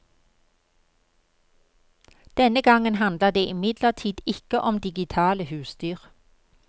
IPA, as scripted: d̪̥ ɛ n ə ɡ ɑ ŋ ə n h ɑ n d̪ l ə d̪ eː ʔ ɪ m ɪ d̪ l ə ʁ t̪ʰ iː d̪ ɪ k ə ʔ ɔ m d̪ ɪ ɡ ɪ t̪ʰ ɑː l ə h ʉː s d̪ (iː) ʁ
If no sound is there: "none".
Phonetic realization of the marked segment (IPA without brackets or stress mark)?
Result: yː